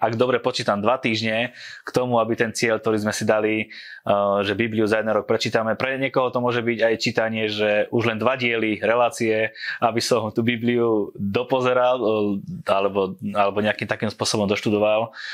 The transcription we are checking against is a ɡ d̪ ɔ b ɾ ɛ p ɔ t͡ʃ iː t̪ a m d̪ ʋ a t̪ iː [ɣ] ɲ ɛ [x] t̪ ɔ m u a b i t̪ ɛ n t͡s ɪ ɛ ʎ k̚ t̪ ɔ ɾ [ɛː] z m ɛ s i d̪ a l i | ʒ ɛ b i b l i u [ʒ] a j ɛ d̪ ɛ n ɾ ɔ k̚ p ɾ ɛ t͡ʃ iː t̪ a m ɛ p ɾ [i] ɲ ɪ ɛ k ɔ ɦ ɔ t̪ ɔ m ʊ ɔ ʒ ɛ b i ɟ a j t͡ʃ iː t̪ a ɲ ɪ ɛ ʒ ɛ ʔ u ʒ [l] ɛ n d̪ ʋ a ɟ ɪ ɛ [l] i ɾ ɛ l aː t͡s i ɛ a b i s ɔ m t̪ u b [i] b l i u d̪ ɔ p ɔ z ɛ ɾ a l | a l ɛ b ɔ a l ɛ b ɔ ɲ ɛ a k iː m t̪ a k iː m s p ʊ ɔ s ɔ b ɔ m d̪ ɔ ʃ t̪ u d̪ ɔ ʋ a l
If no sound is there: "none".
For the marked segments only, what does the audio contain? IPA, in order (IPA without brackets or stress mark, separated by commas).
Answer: ʒ, k, iː, z, ɛ, l, l, i